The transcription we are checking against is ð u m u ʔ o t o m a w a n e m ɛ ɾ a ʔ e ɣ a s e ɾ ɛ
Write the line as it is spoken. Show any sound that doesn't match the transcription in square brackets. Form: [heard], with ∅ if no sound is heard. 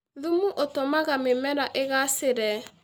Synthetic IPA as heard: ð u m u ʔ o t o m a [ɣ] a [m] e m ɛ ɾ a ʔ e ɣ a s e ɾ ɛ